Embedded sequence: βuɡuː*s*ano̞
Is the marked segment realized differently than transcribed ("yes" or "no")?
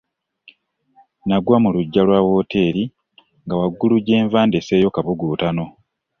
yes